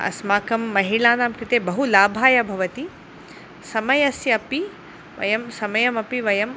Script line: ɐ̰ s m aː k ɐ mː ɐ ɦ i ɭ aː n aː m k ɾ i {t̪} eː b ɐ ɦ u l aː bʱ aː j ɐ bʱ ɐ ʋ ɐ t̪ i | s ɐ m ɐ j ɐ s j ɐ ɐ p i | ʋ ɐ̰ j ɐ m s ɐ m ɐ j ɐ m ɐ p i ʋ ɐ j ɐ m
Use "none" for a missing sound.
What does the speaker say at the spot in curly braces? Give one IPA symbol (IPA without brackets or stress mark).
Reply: t̪